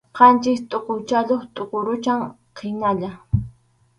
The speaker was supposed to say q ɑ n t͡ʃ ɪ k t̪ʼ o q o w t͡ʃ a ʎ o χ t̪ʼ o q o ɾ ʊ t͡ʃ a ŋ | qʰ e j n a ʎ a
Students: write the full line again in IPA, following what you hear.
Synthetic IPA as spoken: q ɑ n t͡ʃ ɪ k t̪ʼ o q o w t͡ʃ a ʎ o χ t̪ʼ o q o ɾ ʊ t͡ʃ a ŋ | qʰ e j n a ʎ a